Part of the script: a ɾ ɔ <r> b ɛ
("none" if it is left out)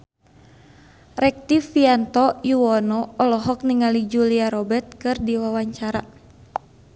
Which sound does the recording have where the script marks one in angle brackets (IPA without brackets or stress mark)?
none